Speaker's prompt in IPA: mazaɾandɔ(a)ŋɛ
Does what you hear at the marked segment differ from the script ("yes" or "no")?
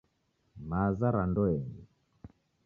yes